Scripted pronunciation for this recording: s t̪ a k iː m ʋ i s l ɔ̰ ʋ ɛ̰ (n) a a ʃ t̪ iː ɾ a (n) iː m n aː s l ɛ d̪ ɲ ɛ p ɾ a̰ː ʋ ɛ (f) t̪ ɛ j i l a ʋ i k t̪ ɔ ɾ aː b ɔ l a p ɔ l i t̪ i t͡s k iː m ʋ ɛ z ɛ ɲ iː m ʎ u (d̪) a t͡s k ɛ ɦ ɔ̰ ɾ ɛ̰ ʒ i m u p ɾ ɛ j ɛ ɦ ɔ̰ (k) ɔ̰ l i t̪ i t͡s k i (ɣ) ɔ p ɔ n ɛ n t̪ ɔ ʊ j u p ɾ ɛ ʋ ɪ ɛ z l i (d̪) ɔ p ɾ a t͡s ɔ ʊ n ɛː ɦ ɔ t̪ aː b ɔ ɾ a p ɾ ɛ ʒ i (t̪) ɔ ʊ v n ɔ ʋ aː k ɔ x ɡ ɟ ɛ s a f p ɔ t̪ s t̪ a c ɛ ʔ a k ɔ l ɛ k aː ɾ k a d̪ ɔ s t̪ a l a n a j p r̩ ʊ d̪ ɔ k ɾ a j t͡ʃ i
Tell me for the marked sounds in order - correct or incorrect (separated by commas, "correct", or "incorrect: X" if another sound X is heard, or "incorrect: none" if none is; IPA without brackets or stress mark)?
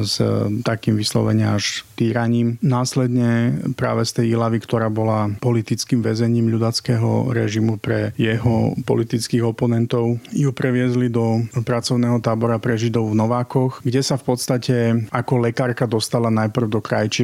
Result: incorrect: ɲ, incorrect: ɲ, incorrect: s, correct, incorrect: p, correct, correct, incorrect: d̪